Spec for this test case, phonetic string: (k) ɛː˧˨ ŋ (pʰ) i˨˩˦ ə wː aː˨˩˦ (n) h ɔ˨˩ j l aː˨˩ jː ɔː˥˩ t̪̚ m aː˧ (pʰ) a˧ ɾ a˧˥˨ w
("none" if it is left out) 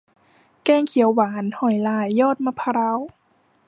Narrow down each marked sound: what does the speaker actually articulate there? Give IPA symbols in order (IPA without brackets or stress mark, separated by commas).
k, kʰ, n, pʰ